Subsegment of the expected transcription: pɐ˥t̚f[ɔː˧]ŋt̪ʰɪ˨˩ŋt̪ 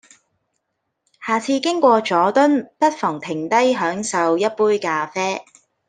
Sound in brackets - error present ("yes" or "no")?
yes